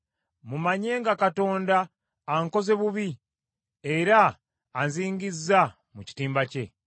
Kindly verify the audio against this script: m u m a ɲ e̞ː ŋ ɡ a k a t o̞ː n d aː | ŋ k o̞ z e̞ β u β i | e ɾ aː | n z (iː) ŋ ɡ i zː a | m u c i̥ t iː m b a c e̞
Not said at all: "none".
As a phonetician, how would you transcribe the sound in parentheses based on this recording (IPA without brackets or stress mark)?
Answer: iː